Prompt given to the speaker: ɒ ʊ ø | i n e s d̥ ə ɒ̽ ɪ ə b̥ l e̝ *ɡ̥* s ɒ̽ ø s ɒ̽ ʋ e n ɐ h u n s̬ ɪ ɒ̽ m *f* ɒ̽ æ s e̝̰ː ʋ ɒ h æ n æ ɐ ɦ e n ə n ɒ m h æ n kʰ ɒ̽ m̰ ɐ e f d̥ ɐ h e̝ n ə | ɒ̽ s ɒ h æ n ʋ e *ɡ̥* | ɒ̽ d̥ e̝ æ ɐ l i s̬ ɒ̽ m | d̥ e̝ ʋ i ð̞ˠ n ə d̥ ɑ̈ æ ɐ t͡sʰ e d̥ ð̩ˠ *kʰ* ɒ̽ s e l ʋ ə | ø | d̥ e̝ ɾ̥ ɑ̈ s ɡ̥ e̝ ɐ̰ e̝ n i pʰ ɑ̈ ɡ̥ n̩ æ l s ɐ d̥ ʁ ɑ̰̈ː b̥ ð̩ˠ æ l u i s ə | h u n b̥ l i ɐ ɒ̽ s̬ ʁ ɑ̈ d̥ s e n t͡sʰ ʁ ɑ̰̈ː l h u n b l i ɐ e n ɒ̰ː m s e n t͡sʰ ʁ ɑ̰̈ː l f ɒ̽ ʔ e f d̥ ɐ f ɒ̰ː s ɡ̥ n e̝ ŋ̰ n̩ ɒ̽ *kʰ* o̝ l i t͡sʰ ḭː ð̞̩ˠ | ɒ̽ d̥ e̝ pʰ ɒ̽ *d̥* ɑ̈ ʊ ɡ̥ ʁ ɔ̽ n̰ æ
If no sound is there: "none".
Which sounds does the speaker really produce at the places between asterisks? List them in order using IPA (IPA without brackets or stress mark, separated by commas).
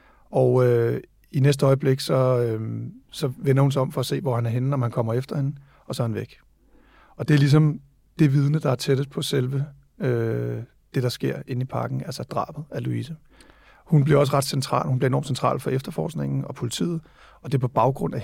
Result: ɡ̥, f, ɡ̥, pʰ, pʰ, b̥